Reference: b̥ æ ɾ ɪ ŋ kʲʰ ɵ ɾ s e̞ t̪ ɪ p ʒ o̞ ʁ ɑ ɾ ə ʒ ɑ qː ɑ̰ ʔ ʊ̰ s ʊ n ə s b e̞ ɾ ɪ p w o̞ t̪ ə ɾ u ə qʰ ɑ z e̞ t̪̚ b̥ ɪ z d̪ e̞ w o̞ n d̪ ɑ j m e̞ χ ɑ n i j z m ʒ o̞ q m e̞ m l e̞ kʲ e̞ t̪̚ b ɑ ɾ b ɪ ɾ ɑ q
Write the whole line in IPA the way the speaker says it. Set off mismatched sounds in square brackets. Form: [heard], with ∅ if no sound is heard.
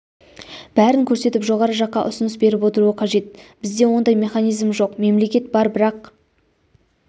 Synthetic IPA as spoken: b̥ æ ɾ ɪ ŋ kʲʰ ɵ ɾ s e̞ t̪ ɪ p ʒ o̞ ʁ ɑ ɾ ə ʒ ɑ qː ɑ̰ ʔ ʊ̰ s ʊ n ə s b e̞ ɾ ɪ p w o̞ t̪ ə ɾ u ə qʰ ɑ [ʒ] e̞ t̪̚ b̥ ɪ z d̪ e̞ w o̞ n d̪ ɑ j m e̞ χ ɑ n i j z m ʒ o̞ q m e̞ m l e̞ kʲ e̞ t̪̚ b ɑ ɾ b ɪ ɾ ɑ q